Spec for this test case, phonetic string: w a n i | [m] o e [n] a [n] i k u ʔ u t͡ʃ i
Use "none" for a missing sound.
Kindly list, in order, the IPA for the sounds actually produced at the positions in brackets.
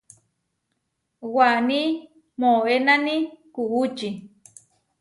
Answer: m, n, n

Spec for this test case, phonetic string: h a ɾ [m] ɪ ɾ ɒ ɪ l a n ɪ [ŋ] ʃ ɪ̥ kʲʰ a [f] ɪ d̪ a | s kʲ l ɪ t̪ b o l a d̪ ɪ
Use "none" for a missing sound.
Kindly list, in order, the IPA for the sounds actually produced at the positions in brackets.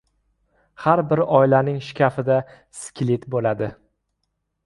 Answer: b, ŋ, f

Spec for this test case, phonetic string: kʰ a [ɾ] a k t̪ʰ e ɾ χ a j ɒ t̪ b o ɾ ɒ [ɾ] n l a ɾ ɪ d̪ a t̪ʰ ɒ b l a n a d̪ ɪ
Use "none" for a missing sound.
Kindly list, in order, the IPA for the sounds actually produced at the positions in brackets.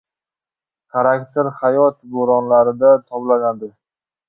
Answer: ɾ, none

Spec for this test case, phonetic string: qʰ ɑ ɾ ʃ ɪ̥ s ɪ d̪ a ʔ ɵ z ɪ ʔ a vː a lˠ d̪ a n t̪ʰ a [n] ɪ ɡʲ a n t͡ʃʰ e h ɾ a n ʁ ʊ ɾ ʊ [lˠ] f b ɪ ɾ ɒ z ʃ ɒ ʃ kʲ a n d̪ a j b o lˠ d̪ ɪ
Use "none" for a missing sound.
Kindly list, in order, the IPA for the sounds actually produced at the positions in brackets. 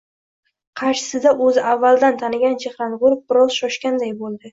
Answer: n, none

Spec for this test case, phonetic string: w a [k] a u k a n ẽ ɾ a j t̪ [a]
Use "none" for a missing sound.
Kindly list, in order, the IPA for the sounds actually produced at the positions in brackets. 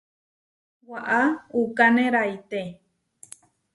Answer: ʔ, e

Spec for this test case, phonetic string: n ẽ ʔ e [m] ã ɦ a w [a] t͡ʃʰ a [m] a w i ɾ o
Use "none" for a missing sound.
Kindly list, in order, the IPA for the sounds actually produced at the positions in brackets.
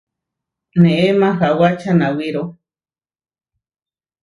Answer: m, a, n

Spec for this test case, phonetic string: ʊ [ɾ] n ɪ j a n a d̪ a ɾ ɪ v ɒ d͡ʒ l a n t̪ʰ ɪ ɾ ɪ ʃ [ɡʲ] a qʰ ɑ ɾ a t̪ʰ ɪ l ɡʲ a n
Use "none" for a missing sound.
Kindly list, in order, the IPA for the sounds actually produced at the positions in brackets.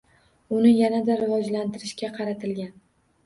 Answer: none, kʲ

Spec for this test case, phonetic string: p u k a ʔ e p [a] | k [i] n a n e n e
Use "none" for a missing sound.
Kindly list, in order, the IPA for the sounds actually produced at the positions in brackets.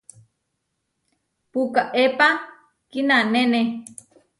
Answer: a, i

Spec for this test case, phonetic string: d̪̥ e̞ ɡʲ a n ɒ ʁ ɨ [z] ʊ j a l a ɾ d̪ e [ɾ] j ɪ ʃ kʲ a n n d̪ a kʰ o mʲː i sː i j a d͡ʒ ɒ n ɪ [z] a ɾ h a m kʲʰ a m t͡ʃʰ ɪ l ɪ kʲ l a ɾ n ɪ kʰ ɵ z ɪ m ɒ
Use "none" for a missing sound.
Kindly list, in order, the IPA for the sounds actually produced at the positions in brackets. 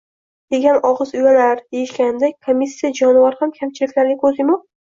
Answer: z, none, v

